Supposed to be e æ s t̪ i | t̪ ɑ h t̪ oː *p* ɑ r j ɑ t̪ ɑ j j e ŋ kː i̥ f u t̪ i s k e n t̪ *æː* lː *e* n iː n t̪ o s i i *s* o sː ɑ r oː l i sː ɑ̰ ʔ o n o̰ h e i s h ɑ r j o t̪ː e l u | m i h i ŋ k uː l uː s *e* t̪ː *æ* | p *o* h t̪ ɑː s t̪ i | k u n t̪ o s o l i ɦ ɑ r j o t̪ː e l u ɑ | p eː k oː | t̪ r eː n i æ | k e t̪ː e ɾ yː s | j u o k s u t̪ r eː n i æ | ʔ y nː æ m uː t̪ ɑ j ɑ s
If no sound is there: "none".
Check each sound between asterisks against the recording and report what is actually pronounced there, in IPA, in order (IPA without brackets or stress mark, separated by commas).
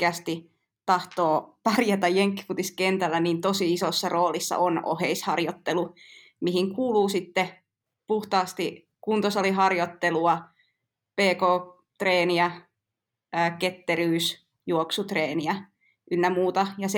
p, æ, æ, s, i, e, u